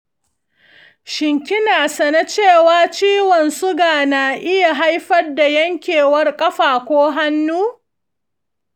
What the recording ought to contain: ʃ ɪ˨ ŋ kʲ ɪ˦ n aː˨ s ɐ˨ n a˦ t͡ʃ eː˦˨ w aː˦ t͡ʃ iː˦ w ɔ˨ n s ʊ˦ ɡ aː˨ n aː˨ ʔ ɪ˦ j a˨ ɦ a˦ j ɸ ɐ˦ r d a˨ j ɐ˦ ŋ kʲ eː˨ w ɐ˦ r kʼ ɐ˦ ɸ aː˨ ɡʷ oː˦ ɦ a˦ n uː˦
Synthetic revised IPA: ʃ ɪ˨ ŋ kʲ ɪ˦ n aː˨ s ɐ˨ n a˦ t͡ʃ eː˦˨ w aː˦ t͡ʃ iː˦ w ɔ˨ n s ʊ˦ ɡ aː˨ n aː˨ ʔ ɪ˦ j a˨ ɦ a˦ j ɸ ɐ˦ r d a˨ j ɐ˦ ŋ kʲ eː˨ w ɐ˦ r kʼ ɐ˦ ɸ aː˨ kʷ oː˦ ɦ a˦ nː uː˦